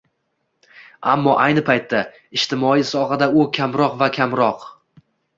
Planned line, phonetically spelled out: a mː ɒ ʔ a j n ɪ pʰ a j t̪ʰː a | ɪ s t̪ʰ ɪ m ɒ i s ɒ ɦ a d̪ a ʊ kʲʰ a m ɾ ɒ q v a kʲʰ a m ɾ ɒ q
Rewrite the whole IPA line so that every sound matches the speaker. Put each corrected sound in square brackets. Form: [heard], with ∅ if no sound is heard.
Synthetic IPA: a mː ɒ ʔ a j n ɪ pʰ a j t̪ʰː a | ɪ [ʃ] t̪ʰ ɪ m ɒ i s ɒ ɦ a d̪ a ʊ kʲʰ a m ɾ ɒ q v a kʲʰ a m ɾ ɒ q